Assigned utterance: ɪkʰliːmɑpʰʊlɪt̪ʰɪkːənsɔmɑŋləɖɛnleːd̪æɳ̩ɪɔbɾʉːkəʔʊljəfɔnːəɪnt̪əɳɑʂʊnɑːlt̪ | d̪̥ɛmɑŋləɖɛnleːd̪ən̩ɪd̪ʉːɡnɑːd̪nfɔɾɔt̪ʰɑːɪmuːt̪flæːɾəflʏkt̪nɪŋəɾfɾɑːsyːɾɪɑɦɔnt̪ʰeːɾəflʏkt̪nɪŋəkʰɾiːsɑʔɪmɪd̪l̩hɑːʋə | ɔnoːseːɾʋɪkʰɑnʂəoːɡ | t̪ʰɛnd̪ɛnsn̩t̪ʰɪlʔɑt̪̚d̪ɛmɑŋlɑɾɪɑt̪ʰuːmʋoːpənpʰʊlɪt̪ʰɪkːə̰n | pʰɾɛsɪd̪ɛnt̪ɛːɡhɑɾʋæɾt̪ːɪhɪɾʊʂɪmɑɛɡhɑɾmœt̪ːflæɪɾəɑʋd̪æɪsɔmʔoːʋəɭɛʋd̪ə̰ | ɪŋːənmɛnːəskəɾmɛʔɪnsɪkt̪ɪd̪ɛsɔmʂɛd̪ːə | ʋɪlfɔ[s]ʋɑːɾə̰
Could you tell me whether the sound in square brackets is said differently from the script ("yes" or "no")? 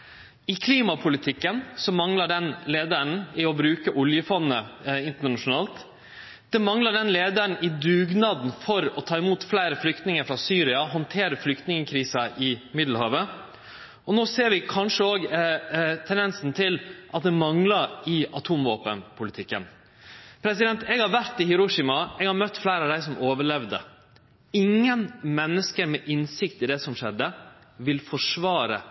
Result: yes